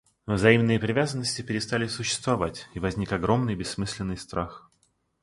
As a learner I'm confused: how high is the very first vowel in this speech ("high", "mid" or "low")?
low